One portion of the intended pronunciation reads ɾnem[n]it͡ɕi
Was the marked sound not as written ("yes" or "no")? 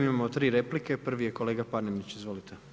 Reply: no